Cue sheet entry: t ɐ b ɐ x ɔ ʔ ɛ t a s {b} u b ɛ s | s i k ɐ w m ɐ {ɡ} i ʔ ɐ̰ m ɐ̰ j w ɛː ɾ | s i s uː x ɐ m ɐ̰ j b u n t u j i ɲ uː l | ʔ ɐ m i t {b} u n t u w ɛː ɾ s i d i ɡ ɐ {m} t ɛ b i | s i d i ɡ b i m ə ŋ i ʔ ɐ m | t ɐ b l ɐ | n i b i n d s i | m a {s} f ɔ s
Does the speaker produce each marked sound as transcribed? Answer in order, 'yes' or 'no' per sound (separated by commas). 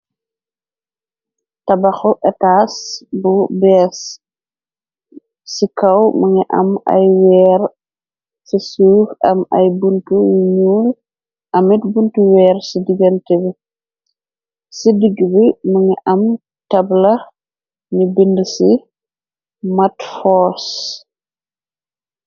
yes, no, yes, no, no